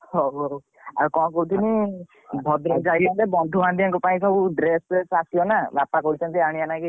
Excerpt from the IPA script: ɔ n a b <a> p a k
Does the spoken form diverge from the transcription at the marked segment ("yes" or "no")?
no